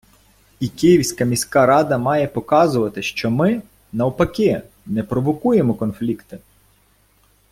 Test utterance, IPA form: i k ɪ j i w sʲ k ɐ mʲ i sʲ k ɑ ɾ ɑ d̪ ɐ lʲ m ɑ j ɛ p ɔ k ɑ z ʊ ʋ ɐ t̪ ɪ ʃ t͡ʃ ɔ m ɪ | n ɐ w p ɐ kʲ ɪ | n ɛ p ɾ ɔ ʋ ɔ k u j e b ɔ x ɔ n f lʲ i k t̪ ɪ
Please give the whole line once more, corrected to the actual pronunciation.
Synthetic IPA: i k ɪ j i w sʲ k ɐ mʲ i sʲ k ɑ ɾ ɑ d̪ ɐ m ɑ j ɛ p ɔ k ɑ z ʊ ʋ ɐ t̪ ɪ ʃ t͡ʃ ɔ m ɪ | n ɐ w p ɐ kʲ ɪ | n ɛ p ɾ ɔ ʋ ɔ k u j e m ɔ k ɔ n f lʲ i k t̪ ɪ